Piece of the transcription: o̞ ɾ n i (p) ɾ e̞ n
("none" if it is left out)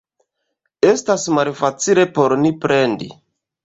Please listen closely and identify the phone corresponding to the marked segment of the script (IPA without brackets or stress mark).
p